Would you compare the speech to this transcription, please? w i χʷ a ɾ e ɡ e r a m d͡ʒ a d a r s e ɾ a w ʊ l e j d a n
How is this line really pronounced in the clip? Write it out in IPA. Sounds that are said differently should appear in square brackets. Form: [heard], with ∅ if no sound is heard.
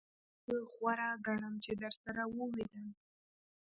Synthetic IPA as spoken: w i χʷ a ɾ [a] ɡ [a] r a m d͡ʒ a d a r s [a] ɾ a w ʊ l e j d a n